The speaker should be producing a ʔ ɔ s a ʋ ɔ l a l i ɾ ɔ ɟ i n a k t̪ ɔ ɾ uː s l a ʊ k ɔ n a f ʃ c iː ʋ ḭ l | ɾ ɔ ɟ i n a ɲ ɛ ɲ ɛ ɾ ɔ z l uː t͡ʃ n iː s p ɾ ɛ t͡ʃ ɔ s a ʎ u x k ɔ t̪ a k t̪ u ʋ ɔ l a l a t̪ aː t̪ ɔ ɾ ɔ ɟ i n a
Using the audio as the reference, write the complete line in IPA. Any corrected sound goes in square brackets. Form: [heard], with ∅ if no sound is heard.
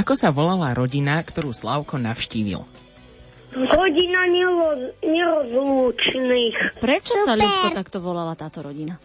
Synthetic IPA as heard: a [k] ɔ s a ʋ ɔ l a l [a] ɾ ɔ ɟ i n a k t̪ ɔ ɾ uː s l a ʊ k ɔ n a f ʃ c iː ʋ ḭ l | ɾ ɔ ɟ i n a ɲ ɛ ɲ ɛ ɾ ɔ z l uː t͡ʃ n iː [x] p ɾ ɛ t͡ʃ ɔ s a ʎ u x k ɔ t̪ a k t̪ [ɔ] ʋ ɔ l a l a t̪ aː t̪ ɔ ɾ ɔ ɟ i n a